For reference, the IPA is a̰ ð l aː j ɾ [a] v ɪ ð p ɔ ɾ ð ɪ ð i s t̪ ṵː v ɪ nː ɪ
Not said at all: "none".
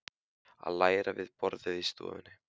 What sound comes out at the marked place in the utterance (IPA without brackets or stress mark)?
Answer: a